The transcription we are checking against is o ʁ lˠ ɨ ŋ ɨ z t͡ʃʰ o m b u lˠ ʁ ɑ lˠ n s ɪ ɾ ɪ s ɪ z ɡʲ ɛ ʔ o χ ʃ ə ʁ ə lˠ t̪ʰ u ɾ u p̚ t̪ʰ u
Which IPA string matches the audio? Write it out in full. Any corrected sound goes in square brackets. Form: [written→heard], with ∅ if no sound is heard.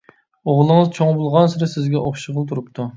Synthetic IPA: o ʁ lˠ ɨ ŋ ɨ z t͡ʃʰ o [m→ŋ] b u lˠ ʁ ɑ [lˠ→∅] n s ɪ ɾ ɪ s ɪ z ɡʲ ɛ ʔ o χ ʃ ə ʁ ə lˠ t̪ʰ u ɾ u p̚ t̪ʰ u